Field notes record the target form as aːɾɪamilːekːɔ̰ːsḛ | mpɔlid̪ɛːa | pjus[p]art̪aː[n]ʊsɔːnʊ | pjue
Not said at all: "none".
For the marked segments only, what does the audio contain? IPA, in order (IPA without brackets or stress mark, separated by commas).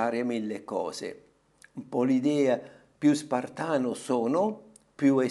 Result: p, n